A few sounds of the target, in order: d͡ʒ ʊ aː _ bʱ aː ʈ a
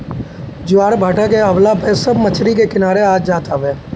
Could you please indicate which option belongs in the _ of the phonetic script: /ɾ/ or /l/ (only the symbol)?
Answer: ɾ